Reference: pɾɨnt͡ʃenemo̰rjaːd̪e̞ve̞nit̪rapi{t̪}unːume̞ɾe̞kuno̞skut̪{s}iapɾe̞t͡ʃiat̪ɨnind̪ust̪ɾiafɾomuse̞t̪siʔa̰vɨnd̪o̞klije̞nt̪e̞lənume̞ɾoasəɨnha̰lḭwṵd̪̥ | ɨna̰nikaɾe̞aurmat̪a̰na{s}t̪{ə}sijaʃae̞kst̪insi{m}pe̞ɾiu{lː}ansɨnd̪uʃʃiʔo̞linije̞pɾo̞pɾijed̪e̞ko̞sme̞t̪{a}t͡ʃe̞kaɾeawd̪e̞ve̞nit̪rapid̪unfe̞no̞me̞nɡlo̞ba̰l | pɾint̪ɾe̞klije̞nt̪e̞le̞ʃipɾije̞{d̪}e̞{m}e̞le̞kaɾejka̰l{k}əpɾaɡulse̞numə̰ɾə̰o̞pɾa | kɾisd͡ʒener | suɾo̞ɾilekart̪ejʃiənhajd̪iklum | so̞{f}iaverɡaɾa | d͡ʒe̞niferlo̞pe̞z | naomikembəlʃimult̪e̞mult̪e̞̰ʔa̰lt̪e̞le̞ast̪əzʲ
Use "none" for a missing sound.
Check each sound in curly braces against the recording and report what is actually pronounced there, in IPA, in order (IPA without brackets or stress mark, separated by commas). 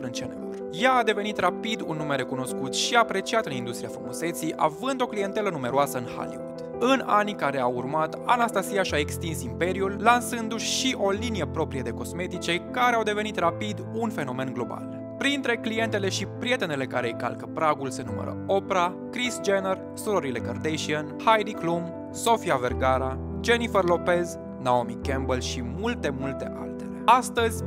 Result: d̪, ʃ, s, a, m, lː, i, t̪, n, k, f